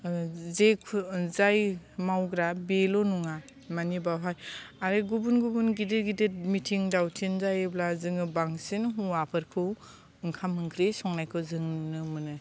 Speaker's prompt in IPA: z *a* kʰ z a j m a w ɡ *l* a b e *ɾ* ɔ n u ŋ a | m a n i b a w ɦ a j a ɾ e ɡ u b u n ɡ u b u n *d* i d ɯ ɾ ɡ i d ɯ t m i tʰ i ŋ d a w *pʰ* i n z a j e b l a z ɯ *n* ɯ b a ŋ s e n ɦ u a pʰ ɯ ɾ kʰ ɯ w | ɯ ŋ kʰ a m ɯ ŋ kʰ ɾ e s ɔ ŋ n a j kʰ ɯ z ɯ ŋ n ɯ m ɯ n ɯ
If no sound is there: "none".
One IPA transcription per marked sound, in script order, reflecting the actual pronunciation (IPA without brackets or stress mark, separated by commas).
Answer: e, ɾ, l, ɡ, tʰ, ŋ